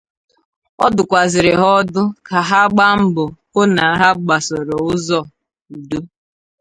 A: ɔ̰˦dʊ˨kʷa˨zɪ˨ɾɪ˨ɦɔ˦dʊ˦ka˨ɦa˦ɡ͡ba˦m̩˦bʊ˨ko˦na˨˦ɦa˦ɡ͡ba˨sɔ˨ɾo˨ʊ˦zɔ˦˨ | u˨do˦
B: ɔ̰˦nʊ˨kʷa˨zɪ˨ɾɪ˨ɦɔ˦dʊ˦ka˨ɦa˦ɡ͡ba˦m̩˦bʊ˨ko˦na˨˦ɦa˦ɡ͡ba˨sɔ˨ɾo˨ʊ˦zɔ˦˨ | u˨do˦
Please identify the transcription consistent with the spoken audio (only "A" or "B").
A